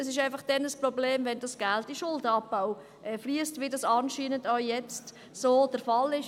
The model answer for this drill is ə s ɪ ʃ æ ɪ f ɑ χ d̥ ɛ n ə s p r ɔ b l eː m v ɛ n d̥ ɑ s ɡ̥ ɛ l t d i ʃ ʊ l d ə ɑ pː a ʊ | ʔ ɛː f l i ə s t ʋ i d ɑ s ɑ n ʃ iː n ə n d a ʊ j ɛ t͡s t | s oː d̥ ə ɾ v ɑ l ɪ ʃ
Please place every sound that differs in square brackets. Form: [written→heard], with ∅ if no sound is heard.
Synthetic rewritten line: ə s ɪ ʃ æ ɪ f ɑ χ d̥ ɛ n ə s p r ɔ b l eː m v ɛ n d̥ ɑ s ɡ̥ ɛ l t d i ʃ ʊ l d ə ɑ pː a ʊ | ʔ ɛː f l i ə s t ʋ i d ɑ s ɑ n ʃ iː n ə n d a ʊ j ɛ t͡s t | s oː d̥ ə ɾ [v→f] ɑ l ɪ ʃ